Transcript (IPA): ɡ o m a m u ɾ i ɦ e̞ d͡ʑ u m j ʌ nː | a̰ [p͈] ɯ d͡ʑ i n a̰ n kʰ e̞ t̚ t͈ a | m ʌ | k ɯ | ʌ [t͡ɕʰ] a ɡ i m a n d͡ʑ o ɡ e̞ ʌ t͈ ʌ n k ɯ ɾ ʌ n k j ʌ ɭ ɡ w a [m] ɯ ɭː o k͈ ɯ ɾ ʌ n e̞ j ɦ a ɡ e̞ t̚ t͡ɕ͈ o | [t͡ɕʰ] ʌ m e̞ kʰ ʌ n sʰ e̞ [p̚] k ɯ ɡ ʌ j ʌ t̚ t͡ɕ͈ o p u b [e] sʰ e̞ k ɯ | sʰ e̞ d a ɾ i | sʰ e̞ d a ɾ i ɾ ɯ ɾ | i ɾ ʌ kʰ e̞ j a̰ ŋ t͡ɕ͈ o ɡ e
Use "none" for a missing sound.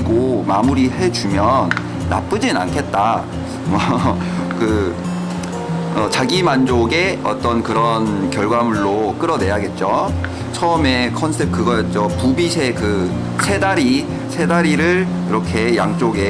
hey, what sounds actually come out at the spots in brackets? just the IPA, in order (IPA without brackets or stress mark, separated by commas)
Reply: p͈, t͡ɕ, m, t͡ɕʰ, p̚, i